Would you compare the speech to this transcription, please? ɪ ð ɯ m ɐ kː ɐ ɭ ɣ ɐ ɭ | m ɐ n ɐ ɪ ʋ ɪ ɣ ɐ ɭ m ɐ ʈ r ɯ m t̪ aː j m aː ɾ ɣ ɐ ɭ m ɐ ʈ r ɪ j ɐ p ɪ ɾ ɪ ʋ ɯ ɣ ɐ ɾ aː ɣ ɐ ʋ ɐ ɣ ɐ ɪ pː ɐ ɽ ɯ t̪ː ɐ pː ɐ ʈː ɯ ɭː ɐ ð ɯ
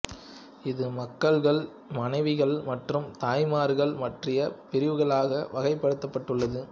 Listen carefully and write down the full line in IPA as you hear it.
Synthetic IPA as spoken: ɪ ð ɯ m ɐ kː ɐ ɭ ɣ ɐ ɭ | m ɐ n ɐ ɪ ʋ ɪ ɣ ɐ ɭ m ɐ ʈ r ɯ m t̪ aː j m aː ɾ ɣ ɐ ɭ m ɐ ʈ r ɪ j ɐ p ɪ ɾ ɪ ʋ ɯ ɣ ɐ ɭ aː ɣ ɐ ʋ ɐ ɣ ɐ ɪ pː ɐ ɽ ɯ t̪ː ɐ pː ɐ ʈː ɯ ɭː ɐ ð ɯ

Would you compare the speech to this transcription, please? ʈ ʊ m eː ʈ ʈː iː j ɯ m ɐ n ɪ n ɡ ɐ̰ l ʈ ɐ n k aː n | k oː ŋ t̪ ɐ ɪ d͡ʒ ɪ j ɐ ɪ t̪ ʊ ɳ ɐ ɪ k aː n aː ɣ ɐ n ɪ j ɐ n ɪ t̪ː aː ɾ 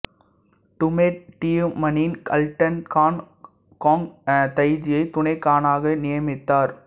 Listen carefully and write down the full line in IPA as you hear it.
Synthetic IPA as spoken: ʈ ʊ m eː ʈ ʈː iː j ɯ m ɐ n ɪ n k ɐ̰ l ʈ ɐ n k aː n | k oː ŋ t̪ ɐ ɪ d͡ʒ ɪ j ɐ ɪ t̪ ʊ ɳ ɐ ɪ k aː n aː ɣ ɐ n ɪ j ɐ m ɪ t̪ː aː ɾ

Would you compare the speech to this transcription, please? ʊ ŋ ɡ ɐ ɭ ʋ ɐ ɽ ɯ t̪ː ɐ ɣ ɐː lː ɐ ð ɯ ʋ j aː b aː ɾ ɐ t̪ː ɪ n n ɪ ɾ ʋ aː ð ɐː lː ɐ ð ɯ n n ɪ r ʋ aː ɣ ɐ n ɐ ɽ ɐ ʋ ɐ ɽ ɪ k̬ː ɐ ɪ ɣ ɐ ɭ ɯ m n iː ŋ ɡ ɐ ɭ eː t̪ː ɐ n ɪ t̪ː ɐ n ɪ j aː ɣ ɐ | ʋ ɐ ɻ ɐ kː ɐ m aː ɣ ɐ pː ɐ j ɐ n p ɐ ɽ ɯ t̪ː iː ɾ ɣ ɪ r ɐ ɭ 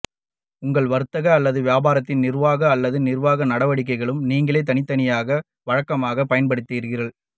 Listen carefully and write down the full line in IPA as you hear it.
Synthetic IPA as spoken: ʊ ŋ ɡ ɐ ɭ ʋ ɐ ɾ ɯ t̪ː ɐ ɣ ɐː lː ɐ ð ɯ ʋ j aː b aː ɾ ɐ t̪ː ɪ n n ɪ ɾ ʋ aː ɣ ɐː lː ɐ ð ɯ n n ɪ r ʋ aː ɣ ɐ n ɐ ɽ ɐ ʋ ɐ ɽ ɪ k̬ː ɐ ɪ ɣ ɐ ɭ ɯ m n iː ŋ ɡ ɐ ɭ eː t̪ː ɐ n ɪ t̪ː ɐ n ɪ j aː ɣ ɐ | ʋ ɐ ɻ ɐ kː ɐ m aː ɣ ɐ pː ɐ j ɐ n p ɐ ɽ ɯ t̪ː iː ɾ ɣ ɪ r ɐ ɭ

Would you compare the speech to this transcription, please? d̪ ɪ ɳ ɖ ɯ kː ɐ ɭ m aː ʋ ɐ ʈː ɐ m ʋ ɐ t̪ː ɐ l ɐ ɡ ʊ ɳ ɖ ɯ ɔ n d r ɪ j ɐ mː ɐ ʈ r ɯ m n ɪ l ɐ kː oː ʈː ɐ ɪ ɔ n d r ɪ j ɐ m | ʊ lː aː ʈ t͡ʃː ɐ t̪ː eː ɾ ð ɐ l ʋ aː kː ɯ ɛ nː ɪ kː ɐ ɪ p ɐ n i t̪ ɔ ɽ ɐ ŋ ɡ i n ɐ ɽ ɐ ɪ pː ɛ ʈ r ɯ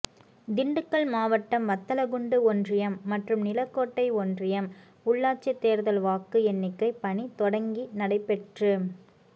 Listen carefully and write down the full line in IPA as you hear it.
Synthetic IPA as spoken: d̪ ɪ ɳ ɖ ɯ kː ɐ ɭ m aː ʋ ɐ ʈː ɐ m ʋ ɐ t̪ː ɐ l ɐ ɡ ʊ ɳ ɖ ɯ ɔ n d r ɪ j ɐ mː ɐ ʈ r ɯ m n ɪ l ɐ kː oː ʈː ɐ ɪ ɔ n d r ɪ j ɐ m | ʊ ɭː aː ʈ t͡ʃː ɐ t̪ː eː ɾ ð ɐ l ʋ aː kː ɯ ɛ nː ɪ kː ɐ ɪ p ɐ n i t̪ ɔ ɽ ɐ ŋ ɡ i n ɐ ɽ ɐ ɪ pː ɛ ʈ r ɯ

